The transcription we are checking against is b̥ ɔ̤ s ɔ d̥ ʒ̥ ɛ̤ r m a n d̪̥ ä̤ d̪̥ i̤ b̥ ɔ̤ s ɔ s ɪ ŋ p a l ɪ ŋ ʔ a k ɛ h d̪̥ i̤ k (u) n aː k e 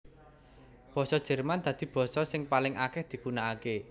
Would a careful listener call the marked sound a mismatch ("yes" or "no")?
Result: no